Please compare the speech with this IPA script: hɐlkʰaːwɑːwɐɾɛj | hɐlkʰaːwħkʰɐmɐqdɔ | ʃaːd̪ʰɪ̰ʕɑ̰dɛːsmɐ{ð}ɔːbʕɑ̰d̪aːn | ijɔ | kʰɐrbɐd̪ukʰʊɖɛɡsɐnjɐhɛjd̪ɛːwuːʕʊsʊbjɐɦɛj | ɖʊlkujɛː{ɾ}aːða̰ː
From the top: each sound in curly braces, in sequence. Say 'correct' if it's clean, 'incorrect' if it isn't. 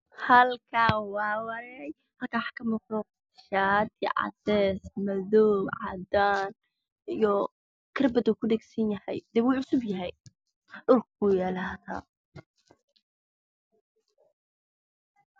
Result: correct, incorrect: l

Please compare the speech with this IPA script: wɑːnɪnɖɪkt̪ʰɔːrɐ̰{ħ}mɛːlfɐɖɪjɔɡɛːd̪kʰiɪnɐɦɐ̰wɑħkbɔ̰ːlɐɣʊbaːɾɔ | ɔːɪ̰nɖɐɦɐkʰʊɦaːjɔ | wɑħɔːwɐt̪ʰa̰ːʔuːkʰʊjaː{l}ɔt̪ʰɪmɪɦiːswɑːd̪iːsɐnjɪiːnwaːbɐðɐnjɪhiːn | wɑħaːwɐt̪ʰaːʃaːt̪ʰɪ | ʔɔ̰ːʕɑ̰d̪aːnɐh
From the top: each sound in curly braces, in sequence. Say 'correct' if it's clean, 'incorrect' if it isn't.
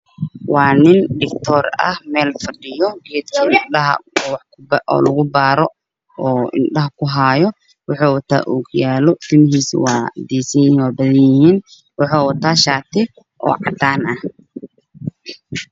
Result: incorrect: h, correct

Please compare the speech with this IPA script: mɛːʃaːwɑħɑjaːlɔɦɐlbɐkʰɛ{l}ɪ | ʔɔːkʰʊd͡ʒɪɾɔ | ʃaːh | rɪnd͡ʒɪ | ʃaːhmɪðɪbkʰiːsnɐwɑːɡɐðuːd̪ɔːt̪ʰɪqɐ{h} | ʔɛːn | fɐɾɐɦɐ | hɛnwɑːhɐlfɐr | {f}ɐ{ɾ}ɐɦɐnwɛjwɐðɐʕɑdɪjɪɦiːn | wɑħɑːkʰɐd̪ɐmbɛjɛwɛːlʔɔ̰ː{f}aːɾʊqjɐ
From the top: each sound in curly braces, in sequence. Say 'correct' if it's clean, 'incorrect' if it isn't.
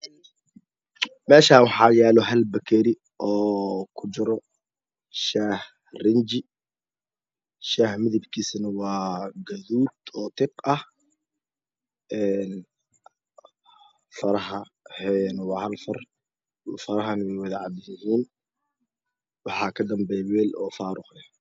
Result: incorrect: ɾ, correct, correct, correct, correct

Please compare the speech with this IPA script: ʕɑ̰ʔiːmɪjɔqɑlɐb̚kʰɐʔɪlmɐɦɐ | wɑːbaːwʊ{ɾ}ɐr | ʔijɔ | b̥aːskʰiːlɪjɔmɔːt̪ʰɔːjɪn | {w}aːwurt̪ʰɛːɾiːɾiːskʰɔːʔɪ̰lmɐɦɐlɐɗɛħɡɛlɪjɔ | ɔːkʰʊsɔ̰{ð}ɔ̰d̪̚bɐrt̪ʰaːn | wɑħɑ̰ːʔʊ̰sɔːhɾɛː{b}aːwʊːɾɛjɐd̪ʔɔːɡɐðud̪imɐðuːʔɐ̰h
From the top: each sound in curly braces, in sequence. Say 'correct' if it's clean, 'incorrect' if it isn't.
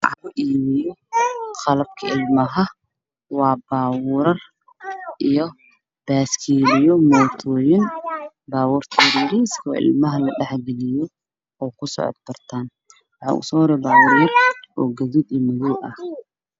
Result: correct, incorrect: b, incorrect: ʕ, correct

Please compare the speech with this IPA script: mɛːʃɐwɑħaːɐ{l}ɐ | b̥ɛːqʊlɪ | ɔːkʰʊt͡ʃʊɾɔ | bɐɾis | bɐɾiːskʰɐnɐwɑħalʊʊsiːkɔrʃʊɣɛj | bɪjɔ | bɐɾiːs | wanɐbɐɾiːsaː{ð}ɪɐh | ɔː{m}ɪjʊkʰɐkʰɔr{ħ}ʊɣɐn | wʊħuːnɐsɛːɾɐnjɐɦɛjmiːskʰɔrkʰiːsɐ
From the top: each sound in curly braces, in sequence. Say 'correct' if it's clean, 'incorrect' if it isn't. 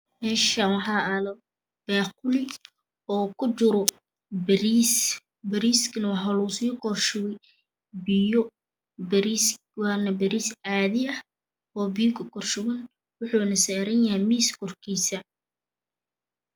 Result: correct, correct, incorrect: b, incorrect: ʃ

